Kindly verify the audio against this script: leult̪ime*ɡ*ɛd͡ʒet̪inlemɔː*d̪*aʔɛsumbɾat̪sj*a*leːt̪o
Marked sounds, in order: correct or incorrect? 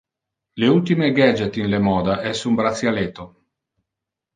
correct, correct, correct

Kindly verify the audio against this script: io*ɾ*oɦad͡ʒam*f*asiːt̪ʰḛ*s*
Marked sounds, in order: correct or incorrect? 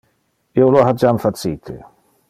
incorrect, correct, incorrect

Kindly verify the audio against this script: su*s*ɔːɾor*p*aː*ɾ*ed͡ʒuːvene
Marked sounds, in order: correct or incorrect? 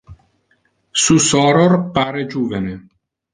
correct, correct, correct

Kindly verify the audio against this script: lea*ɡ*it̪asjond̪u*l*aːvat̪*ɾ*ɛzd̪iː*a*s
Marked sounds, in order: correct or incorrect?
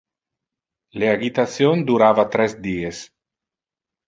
correct, incorrect, correct, incorrect

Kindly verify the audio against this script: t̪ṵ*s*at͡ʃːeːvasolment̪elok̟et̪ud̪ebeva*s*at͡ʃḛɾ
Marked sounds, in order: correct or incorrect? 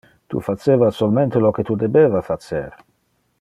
incorrect, incorrect

